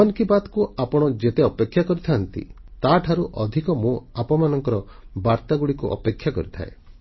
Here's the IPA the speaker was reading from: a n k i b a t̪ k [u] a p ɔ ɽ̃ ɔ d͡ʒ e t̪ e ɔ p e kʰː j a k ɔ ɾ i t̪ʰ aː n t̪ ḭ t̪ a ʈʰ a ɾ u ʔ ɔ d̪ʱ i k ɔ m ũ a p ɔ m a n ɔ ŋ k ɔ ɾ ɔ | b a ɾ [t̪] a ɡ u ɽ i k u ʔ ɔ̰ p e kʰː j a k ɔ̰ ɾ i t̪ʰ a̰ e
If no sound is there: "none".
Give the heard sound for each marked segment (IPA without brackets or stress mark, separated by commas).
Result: u, t̪